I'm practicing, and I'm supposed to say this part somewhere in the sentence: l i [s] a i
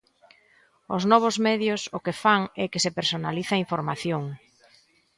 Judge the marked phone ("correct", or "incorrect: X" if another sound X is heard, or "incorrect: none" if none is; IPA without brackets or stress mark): incorrect: θ